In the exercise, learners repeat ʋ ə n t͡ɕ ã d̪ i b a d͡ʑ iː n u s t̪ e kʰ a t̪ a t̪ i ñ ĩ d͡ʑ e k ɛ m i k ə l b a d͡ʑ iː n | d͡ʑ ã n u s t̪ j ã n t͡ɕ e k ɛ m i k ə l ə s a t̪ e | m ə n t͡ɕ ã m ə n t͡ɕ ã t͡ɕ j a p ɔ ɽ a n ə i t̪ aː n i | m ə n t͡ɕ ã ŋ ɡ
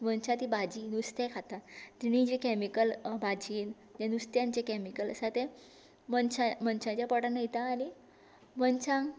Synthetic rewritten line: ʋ ə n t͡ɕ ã t̪ i b a d͡ʑ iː n u s t̪ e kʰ a t̪ a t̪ i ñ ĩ d͡ʑ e k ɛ m i k ə l b a d͡ʑ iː n | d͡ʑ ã n u s t̪ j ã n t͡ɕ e k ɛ m i k ə l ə s a t̪ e | m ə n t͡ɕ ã m ə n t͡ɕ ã t͡ɕ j a p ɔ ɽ a n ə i t̪ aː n i | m ə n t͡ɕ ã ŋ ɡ